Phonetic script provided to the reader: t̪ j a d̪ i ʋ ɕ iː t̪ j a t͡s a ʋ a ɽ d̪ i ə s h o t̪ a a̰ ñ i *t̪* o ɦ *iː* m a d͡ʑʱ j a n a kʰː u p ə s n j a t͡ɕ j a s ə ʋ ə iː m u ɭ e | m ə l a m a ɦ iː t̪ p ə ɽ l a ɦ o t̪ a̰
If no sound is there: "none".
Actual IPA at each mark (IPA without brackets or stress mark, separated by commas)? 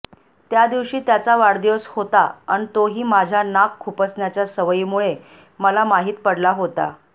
t̪, iː